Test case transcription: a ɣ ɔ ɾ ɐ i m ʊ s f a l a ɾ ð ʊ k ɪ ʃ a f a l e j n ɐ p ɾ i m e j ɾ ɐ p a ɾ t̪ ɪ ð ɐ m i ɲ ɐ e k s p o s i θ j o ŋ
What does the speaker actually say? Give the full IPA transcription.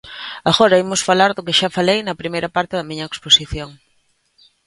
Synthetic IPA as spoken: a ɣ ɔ ɾ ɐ i m ʊ s f a l a ɾ ð ʊ k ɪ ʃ a f a l e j n ɐ p ɾ i m e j ɾ ɐ p a ɾ t̪ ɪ ð ɐ m i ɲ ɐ e k s p o s i θ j o ŋ

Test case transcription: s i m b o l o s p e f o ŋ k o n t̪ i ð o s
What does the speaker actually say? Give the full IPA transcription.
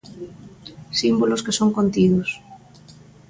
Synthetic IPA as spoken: s i m b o l o s k e s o ŋ k o n t̪ i ð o s

